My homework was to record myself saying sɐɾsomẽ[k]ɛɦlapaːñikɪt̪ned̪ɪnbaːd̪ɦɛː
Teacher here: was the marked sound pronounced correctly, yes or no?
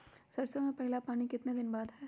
no